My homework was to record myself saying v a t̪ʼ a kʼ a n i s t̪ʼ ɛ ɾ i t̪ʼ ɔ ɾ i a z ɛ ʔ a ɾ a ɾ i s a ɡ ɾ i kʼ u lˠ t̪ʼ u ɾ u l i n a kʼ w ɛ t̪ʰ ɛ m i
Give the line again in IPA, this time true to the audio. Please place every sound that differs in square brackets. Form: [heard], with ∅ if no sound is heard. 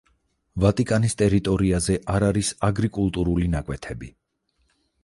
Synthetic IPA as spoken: v a t̪ʼ [i] kʼ a n i s t̪ʼ ɛ ɾ i t̪ʼ ɔ ɾ i a z ɛ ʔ a ɾ a ɾ i s a ɡ ɾ i kʼ u lˠ t̪ʼ u ɾ u l i n a kʼ w ɛ t̪ʰ ɛ [b] i